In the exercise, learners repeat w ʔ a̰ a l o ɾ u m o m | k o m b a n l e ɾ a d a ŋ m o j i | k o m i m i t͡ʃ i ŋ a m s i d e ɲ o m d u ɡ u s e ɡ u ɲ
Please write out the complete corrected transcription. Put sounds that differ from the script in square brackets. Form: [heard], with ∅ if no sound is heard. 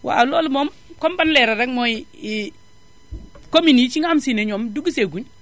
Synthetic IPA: w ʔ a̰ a l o [l] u m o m | k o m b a n l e ɾ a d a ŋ m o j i | k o m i [n] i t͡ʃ i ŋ a m s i [n] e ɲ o m d u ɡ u s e ɡ u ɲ